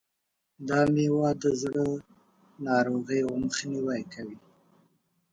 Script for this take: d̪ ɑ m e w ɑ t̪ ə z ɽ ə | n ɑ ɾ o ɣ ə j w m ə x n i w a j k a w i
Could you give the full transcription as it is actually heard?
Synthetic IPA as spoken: d̪ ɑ m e w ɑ d̪ ə z ɽ ə | n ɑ ɾ o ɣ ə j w m ə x n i w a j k a w i